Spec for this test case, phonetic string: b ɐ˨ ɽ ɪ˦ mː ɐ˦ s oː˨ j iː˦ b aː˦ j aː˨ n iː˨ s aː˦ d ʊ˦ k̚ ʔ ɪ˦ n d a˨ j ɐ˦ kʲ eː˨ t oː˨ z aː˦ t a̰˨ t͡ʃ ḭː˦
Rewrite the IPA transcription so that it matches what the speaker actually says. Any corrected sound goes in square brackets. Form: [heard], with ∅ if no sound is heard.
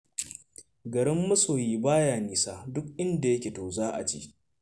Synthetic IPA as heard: [ɡ] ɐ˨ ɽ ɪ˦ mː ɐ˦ s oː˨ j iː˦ b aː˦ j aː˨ n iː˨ s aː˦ d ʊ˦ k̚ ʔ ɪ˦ n d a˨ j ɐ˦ kʲ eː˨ t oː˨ z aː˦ [ʔ] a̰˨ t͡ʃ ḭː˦